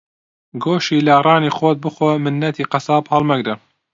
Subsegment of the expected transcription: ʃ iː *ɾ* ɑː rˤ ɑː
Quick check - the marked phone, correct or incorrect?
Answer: incorrect